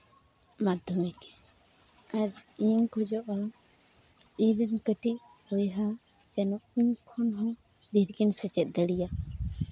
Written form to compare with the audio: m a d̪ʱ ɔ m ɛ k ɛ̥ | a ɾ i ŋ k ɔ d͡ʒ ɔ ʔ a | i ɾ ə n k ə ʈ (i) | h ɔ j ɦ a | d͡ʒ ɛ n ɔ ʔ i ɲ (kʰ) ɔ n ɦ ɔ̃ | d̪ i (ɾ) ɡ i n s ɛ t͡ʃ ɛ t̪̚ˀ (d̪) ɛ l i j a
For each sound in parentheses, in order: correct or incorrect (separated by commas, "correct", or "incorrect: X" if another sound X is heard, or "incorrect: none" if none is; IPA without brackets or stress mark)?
correct, correct, correct, correct